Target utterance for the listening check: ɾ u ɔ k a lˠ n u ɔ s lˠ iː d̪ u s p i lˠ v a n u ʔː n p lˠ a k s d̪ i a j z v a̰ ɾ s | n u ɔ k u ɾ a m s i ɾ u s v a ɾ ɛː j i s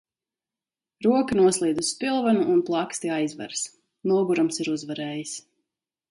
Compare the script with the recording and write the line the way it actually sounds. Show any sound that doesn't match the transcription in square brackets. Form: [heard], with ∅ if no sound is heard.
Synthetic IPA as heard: ɾ u ɔ k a [∅] n u ɔ s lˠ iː d̪ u s p i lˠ v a n u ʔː n p lˠ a k s [t̪] i a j z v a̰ ɾ s | n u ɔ [ɡ] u ɾ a m s i ɾ u [z] v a ɾ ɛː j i s